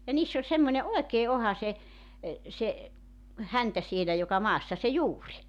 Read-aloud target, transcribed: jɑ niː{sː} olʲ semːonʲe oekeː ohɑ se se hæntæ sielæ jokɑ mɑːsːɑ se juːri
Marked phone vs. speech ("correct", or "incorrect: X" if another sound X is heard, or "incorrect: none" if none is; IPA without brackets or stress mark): correct